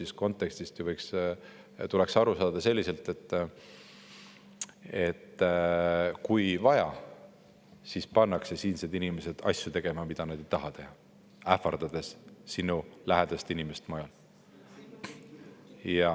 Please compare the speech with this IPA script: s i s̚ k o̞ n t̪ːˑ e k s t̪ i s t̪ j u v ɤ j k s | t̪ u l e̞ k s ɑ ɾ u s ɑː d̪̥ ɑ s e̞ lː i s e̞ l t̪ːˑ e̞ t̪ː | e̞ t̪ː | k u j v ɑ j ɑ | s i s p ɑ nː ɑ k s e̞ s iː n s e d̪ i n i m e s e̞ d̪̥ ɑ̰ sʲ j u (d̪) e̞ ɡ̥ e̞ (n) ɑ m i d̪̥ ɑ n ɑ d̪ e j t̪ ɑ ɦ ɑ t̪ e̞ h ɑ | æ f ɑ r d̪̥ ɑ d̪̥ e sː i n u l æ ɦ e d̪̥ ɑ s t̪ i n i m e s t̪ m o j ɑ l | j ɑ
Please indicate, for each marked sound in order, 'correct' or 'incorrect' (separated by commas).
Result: incorrect, incorrect